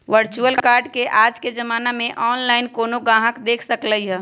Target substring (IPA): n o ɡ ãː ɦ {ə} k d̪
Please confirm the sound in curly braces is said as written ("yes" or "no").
yes